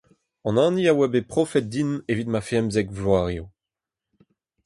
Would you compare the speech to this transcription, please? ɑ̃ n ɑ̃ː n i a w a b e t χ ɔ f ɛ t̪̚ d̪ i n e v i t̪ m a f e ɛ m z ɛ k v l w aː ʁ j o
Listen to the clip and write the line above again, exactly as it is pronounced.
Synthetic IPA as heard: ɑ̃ n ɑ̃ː n i a w a b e p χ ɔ f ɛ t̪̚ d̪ i n e v i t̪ m a f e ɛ m z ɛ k v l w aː ʁ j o